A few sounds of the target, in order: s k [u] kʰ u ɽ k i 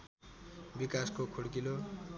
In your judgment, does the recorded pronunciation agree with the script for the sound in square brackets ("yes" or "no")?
no